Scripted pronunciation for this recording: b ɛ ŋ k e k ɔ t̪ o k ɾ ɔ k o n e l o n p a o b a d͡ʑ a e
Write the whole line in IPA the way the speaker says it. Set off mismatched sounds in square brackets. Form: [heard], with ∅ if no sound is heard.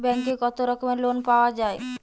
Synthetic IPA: b ɛ ŋ k e k ɔ t̪ o [∅] ɾ ɔ k o [m] e l o n p a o [∅] a d͡ʑ a e